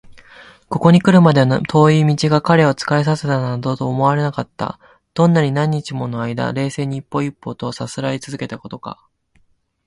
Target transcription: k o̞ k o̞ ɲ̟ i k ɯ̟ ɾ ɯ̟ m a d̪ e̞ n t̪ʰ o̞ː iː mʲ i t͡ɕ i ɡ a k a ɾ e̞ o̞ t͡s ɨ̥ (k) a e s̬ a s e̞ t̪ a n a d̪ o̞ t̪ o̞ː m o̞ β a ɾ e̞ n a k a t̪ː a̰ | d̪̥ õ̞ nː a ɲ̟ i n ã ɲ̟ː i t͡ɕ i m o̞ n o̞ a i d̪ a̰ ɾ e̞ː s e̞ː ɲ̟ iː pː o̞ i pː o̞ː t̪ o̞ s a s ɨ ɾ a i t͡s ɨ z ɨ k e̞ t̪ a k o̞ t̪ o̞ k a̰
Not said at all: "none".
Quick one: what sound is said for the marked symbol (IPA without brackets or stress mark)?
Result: k